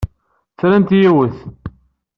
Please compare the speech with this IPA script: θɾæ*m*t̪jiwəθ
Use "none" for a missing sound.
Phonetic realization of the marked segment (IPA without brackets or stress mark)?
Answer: n